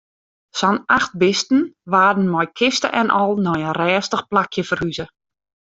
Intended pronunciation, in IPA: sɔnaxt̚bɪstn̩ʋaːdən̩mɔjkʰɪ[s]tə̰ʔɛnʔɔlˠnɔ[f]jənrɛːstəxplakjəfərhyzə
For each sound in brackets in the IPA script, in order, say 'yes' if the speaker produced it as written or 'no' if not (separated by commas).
yes, no